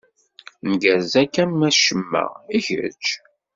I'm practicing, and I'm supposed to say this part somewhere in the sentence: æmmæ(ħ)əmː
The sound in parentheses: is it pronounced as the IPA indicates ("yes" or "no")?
no